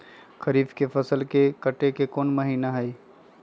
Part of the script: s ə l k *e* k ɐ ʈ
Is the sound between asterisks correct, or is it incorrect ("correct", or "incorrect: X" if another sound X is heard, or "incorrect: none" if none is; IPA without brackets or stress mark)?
correct